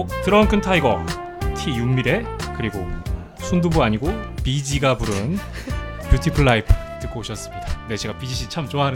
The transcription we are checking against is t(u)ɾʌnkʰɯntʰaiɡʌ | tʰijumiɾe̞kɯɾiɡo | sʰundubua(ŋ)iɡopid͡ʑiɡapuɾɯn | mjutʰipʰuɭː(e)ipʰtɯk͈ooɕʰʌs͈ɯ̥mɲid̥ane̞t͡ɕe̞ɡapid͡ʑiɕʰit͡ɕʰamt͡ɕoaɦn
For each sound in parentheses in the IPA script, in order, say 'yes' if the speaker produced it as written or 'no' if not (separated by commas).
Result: no, no, no